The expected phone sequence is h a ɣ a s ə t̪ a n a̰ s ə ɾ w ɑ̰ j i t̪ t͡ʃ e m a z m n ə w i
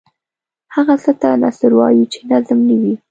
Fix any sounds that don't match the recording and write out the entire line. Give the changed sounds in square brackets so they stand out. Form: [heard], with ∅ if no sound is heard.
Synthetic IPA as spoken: h a ɣ a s ə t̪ a n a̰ s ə ɾ w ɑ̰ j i [∅] t͡ʃ e [n] a z m n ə w i